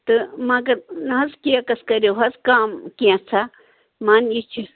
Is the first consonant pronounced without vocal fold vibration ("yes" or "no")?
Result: yes